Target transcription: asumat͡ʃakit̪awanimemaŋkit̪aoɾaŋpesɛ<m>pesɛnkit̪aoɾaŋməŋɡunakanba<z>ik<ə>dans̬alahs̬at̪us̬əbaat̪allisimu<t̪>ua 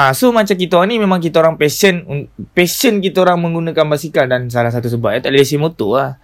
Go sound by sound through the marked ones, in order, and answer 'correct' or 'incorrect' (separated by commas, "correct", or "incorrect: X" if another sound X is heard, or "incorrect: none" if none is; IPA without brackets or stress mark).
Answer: incorrect: n, incorrect: s, incorrect: a, correct